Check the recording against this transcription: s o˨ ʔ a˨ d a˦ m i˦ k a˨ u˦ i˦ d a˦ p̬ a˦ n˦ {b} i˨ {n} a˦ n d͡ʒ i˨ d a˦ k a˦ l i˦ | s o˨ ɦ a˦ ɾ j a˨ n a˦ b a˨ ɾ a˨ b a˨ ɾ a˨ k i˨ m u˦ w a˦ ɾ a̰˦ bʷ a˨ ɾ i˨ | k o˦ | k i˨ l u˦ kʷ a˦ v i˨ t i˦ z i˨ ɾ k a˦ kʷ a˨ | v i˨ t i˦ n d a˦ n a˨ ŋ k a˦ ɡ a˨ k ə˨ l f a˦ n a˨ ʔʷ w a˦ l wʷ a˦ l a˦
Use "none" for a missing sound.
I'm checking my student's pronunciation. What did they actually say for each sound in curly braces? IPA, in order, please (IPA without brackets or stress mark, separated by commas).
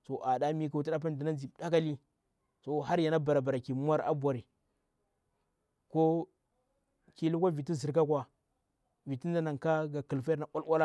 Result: d, n